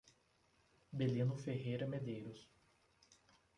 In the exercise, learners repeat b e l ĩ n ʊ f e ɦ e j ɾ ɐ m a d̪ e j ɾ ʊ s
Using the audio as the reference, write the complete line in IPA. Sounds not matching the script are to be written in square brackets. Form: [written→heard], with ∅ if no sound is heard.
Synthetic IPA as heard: b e l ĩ n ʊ f e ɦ e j ɾ ɐ m [a→e] d̪ e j ɾ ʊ s